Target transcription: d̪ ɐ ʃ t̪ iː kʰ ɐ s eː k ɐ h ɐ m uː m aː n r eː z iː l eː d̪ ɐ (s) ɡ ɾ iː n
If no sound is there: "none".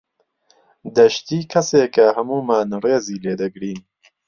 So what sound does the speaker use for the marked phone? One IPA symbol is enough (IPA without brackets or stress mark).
none